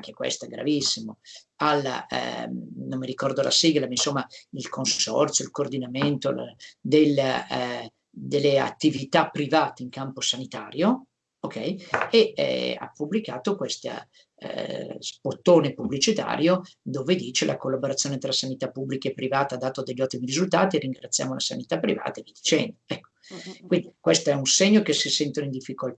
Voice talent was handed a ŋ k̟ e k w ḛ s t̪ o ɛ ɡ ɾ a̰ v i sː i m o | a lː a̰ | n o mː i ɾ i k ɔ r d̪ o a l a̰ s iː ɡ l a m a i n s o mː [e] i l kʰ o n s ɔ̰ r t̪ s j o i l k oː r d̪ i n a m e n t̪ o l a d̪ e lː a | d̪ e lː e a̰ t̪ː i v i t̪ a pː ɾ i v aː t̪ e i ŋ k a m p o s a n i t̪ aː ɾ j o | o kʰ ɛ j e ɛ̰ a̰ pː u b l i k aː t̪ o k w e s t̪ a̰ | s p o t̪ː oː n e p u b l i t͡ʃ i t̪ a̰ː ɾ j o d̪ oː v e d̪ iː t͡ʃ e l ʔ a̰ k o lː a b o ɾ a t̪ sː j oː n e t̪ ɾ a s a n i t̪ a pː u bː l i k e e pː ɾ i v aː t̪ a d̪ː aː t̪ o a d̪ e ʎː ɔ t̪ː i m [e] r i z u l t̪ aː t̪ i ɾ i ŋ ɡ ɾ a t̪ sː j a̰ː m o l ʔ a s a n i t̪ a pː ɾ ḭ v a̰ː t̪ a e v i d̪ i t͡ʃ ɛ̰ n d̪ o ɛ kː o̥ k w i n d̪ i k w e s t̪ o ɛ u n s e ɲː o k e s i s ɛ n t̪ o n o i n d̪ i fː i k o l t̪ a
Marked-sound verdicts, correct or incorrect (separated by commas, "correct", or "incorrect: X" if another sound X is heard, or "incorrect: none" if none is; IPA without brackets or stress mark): incorrect: a, incorrect: i